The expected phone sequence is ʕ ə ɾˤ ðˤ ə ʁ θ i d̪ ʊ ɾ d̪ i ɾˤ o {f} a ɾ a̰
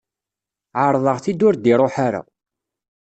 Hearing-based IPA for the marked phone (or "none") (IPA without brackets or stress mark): ħ